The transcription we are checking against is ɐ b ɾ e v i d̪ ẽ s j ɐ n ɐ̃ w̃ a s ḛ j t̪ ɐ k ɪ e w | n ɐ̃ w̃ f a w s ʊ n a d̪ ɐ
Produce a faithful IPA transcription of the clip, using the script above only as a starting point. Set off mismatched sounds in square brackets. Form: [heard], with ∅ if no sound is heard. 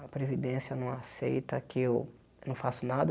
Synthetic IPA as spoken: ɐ [p] ɾ e v i d̪ ẽ s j ɐ n ɐ̃ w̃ a s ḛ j t̪ ɐ k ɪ e w | n ɐ̃ w̃ f a [∅] s ʊ n a d̪ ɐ